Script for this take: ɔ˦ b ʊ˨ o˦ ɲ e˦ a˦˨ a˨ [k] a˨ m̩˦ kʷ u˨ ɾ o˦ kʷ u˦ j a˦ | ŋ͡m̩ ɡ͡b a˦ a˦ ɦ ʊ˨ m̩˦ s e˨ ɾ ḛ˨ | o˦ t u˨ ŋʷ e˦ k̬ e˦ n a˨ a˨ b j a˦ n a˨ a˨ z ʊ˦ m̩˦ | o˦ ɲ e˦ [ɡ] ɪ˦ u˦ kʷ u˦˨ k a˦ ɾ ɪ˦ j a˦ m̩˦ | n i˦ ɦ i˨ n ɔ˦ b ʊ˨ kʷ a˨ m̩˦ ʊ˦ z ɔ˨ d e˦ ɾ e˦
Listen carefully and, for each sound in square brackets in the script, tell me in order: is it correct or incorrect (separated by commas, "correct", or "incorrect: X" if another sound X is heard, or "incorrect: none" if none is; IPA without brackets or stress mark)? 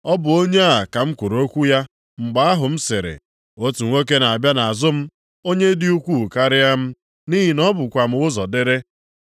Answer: correct, incorrect: d